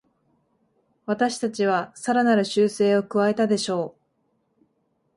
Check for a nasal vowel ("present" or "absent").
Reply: absent